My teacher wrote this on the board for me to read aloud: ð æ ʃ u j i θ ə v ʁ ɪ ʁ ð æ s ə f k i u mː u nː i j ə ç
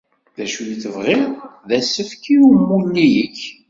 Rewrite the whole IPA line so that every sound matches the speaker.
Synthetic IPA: ð æ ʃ u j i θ ə v ʁ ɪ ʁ ð æ s ə f k i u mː u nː i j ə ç